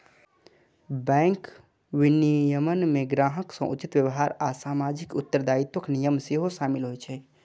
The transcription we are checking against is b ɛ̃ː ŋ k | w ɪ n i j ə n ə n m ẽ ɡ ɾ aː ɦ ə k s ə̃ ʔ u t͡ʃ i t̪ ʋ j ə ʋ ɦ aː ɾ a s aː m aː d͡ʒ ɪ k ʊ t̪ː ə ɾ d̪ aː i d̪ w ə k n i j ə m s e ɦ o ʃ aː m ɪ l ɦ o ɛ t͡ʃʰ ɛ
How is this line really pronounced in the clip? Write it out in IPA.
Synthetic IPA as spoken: b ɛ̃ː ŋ k | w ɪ n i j ə m ə n m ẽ ɡ ɾ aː ɦ ə k s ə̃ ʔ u t͡ʃ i t̪ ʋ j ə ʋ ɦ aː ɾ a s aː m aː d͡ʒ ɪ k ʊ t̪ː ə ɾ d̪ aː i t̪ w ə k n i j ə m s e ɦ o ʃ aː m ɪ l ɦ o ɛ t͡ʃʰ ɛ